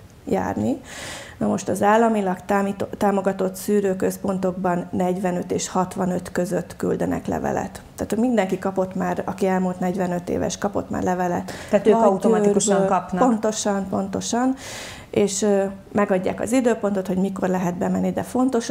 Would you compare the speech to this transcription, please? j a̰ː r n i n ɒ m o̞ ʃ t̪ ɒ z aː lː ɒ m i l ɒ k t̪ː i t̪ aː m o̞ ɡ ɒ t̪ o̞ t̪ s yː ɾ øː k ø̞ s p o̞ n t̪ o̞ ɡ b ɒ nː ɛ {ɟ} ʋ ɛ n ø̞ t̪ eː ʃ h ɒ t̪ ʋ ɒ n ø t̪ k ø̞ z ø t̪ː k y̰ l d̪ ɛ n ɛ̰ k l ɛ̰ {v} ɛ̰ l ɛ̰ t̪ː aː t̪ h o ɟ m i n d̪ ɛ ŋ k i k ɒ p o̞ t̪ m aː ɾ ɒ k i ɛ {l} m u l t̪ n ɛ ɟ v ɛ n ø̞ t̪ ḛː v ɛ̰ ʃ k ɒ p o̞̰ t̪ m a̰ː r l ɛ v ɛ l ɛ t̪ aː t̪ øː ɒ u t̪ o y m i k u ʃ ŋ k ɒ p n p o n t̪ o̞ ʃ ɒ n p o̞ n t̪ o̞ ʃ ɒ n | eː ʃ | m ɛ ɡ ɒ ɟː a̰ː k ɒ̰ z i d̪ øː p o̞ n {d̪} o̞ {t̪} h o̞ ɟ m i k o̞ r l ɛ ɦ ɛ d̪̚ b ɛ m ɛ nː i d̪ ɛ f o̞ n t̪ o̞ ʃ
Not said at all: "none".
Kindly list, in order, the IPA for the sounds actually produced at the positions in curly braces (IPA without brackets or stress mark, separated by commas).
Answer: ɟ, v, l, t̪, t̪